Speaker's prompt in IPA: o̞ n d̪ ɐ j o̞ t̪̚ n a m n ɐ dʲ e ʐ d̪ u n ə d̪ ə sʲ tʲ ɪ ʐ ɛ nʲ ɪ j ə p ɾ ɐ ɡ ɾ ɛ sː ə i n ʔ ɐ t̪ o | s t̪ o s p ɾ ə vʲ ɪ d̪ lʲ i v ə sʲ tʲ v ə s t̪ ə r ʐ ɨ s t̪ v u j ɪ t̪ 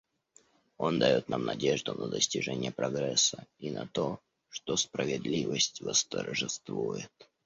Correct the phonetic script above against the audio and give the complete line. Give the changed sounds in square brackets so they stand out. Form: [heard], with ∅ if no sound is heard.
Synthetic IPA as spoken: o̞ n d̪ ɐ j o̞ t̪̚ n a m n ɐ dʲ e ʐ d̪ [ʊ] n ə d̪ ə sʲ tʲ ɪ ʐ ɛ nʲ ɪ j ə p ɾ ɐ ɡ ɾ ɛ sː ə i n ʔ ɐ t̪ o | [ʂ] t̪ o s p ɾ ə vʲ ɪ d̪ lʲ i v ə sʲ tʲ v ə s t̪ ə r ʐ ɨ s t̪ v u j ɪ t̪

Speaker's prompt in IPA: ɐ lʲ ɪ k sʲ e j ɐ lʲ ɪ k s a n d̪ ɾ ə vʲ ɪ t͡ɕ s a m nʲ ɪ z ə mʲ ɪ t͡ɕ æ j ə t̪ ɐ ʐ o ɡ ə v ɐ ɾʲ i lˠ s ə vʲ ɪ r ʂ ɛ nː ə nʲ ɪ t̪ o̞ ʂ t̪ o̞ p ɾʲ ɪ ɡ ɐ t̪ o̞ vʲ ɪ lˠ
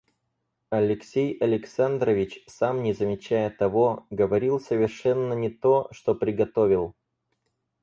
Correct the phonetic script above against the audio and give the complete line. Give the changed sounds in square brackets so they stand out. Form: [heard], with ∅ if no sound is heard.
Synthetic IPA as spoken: ɐ lʲ ɪ k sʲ e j ɐ lʲ ɪ k s a n d̪ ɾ ə vʲ ɪ t͡ɕ s a m nʲ ɪ z ə mʲ ɪ t͡ɕ æ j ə t̪ ɐ [v] o ɡ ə v ɐ ɾʲ i lˠ s ə vʲ ɪ r ʂ ɛ nː ə nʲ ɪ t̪ o̞ ʂ t̪ o̞ p ɾʲ ɪ ɡ ɐ t̪ o̞ vʲ ɪ lˠ

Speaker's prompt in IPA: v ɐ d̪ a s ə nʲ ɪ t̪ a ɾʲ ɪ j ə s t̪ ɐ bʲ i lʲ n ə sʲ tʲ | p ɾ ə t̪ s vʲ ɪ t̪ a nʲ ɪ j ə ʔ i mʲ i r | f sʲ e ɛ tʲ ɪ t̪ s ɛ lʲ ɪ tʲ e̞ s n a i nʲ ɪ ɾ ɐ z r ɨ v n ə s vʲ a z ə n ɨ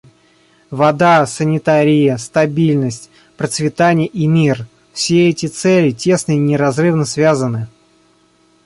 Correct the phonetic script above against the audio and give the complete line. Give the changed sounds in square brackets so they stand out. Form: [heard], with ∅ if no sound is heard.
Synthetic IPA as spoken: v ɐ d̪ a s ə nʲ ɪ t̪ a ɾʲ ɪ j ə s t̪ ɐ bʲ i lʲ n ə sʲ tʲ | p ɾ ə t̪ s vʲ ɪ t̪ a nʲ ɪ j ə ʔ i mʲ i r | f sʲ e ɛ tʲ ɪ t̪ s ɛ lʲ ɪ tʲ e̞ s n [ə] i nʲ ɪ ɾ ɐ z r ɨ v n ə s vʲ a z ə n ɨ

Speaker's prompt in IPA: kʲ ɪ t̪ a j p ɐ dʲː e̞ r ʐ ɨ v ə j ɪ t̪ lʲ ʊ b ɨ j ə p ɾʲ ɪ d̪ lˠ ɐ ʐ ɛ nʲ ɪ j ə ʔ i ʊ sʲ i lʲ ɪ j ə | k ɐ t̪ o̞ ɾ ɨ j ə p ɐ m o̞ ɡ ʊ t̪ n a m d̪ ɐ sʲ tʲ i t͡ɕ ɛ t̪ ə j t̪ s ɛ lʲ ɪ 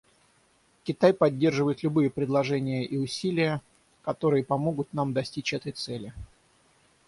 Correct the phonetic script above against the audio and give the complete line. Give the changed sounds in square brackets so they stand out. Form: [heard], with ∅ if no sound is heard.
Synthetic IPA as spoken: kʲ ɪ t̪ a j p ɐ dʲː e̞ r ʐ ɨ v ə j ɪ t̪ lʲ ʊ b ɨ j ə p ɾʲ ɪ d̪ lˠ ɐ ʐ ɛ nʲ ɪ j ə ʔ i ʊ sʲ i lʲ ɪ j ə | k ɐ t̪ o̞ ɾ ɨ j ə p ɐ m o̞ ɡ ʊ t̪ n a m d̪ ɐ sʲ tʲ i t͡ɕ ɛ t̪ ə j t̪ s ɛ lʲ ɪ

